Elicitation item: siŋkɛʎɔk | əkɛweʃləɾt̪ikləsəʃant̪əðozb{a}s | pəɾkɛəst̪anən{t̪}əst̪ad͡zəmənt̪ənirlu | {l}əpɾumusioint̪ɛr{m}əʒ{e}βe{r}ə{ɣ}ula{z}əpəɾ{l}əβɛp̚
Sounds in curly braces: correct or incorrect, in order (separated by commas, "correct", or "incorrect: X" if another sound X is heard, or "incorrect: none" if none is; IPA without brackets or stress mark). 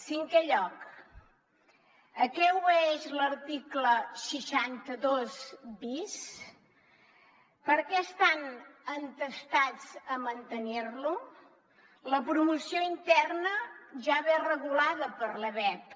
incorrect: i, correct, correct, incorrect: n, incorrect: a, correct, correct, incorrect: ð, correct